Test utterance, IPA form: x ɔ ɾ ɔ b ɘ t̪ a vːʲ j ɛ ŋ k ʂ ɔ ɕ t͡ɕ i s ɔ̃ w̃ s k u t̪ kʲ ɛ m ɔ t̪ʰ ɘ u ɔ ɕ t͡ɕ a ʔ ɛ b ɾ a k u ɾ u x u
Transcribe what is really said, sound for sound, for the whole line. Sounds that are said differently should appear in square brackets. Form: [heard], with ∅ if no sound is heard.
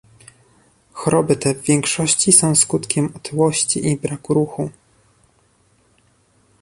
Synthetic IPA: x ɔ ɾ ɔ b ɘ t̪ [ɛ] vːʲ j ɛ ŋ k ʂ ɔ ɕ t͡ɕ i s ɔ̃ w̃ s k u t̪ kʲ ɛ m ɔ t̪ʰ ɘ [w] ɔ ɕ t͡ɕ [i] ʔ [i] b ɾ a k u ɾ u x u